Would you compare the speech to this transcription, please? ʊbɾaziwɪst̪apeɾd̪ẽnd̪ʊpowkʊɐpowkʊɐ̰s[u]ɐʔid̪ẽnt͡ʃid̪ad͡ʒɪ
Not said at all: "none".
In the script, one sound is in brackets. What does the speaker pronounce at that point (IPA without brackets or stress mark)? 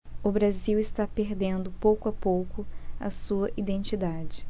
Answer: u